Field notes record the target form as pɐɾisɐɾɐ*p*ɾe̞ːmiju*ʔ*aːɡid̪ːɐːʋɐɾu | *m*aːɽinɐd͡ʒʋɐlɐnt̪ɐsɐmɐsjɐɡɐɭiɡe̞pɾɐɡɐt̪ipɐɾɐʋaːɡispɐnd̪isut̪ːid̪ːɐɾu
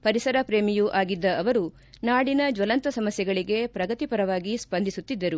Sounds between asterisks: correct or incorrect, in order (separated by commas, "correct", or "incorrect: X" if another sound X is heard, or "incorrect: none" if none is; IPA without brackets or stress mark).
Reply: correct, correct, incorrect: n